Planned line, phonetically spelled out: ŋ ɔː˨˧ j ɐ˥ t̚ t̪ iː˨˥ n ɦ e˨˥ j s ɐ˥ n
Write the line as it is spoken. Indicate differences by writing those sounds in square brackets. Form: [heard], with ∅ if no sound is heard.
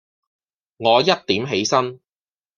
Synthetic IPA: ŋ ɔː˨˧ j ɐ˥ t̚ t̪ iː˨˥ [m] ɦ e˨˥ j s ɐ˥ n

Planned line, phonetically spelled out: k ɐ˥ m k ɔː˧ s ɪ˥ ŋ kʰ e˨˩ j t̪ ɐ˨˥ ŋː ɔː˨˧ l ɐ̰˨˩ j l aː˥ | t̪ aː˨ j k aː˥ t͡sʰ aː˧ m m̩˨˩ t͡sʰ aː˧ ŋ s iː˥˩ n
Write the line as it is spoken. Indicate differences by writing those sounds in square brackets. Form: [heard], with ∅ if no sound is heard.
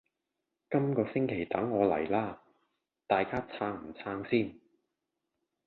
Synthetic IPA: k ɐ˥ m k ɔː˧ s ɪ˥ ŋ kʰ e˨˩ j t̪ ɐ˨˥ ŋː ɔː˨˧ l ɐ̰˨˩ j l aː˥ | t̪ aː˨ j k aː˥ t͡sʰ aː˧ [ŋ] m̩˨˩ t͡sʰ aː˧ ŋ s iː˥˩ n

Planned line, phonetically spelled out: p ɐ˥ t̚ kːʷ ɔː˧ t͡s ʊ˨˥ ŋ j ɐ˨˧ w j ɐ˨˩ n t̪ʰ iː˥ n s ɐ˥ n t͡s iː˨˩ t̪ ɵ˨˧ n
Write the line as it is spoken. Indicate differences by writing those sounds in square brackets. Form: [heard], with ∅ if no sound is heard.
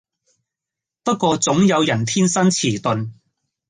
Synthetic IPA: p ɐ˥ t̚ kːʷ ɔː˧ t͡s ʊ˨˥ ŋ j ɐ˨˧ w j ɐ˨˩ n t̪ʰ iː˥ n s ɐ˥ n [t͡sʰ] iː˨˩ t̪ ɵ˨˧ n

